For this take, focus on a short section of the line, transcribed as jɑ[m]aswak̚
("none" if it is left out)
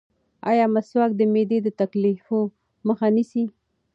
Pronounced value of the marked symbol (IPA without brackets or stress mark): m